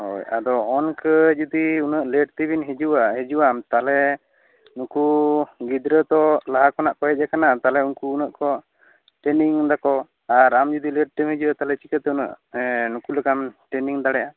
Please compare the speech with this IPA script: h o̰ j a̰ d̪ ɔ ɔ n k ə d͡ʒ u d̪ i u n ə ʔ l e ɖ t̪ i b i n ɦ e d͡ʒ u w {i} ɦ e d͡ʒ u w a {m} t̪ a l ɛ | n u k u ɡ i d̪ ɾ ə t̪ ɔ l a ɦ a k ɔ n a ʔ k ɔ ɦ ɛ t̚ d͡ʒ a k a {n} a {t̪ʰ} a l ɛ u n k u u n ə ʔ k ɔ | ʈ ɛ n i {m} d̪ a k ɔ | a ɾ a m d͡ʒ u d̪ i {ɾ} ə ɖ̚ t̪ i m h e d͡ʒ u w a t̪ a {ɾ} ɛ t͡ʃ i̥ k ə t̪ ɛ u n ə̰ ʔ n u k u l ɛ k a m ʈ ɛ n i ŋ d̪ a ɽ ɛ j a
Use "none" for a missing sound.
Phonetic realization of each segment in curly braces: a, m, n, t̪, ŋ, l, l

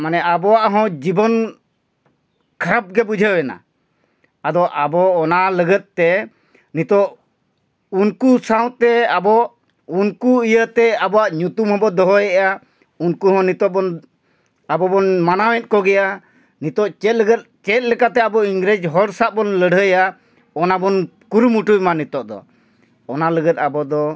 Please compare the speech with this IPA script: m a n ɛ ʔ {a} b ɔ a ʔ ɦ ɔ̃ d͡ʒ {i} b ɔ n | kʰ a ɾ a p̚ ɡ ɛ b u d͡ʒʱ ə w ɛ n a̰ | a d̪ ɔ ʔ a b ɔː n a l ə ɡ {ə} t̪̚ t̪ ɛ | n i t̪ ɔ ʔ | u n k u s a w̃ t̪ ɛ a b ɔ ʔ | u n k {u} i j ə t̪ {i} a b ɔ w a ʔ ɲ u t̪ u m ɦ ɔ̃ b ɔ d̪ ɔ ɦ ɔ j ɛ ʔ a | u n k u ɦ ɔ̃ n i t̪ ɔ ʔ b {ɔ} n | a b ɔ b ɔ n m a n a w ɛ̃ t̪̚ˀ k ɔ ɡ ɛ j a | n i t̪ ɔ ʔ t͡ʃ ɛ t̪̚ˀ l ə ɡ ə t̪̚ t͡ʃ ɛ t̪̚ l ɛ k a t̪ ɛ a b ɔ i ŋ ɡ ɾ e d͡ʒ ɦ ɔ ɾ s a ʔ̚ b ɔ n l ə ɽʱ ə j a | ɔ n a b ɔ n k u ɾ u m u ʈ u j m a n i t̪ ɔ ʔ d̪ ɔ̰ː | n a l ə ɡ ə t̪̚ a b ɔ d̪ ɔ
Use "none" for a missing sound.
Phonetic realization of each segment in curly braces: a, i, ə, u, ɛ, ɔ

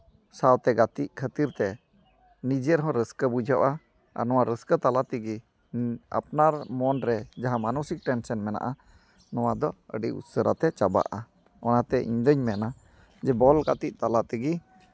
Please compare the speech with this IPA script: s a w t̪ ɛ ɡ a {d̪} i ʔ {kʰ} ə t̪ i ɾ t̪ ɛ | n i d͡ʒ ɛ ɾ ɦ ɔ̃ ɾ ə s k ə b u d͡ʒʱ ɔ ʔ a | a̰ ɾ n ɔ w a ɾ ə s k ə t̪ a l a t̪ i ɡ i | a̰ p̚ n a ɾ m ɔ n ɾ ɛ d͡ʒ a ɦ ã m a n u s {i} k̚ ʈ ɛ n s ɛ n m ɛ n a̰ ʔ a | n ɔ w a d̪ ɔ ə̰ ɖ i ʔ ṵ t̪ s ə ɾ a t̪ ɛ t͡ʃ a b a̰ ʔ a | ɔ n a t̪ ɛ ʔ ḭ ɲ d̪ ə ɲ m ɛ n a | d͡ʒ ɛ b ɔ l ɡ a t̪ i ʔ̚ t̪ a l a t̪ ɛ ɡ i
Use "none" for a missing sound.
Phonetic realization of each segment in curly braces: t̪, kʰ, i

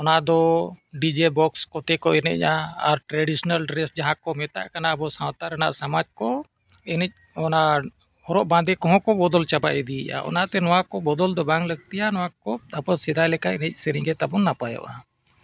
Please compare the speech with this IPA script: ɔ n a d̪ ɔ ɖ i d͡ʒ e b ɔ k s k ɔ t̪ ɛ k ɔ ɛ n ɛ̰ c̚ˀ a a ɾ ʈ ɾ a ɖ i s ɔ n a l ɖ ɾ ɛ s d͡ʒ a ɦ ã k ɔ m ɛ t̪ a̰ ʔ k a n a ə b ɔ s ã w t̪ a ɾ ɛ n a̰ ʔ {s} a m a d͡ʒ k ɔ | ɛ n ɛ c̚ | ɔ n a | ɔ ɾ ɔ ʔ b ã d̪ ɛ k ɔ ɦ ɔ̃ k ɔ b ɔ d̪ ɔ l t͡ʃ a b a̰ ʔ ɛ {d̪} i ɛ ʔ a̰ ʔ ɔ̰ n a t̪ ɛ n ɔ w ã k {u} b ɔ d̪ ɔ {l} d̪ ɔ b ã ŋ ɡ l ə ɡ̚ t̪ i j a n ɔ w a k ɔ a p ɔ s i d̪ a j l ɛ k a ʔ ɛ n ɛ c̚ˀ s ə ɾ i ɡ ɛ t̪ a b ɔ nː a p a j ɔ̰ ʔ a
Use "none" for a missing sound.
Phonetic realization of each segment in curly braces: s, d̪, ɔ, l

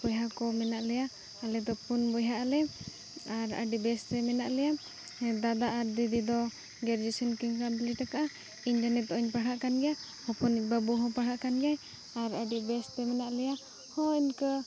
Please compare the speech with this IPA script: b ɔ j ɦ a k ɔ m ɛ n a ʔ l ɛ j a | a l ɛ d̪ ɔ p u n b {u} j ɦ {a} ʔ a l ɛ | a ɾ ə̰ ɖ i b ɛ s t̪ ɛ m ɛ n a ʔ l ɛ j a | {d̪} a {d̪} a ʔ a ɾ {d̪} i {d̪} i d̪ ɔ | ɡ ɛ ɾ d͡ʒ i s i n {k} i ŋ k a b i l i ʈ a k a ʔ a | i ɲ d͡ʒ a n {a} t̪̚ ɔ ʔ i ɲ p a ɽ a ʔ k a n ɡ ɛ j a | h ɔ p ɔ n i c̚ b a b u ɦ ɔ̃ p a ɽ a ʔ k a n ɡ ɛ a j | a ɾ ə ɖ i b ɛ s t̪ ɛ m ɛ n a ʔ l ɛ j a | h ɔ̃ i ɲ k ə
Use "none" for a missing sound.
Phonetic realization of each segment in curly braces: ɔ, a, d̪, d̪, d̪, d̪, k, ɛ

